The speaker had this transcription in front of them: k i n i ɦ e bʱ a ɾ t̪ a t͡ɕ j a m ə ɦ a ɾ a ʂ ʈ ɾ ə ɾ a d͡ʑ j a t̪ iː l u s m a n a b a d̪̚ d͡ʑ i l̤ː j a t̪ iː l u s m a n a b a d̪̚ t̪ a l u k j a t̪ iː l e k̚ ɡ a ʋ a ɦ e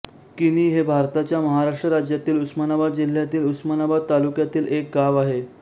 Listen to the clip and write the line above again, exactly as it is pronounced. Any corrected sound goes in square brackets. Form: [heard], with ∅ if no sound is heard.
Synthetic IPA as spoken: k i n i ɦ e bʱ a ɾ t̪ a t͡ɕ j a m ə ɦ a ɾ a ʂ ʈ ɾ ə ɾ a d͡ʑ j a t̪ iː l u s m a n a b a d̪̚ d͡ʑ i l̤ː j a t̪ iː l u s m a n a b a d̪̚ t̪ a l u k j a t̪ iː l e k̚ ɡ a ʋ a ɦ e